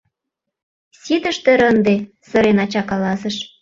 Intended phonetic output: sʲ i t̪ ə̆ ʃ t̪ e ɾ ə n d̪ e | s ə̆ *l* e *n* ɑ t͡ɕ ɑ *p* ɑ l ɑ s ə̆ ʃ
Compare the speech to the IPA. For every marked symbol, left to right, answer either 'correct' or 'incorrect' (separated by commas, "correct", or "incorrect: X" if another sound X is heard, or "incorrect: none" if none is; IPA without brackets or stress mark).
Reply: incorrect: ɾ, correct, incorrect: k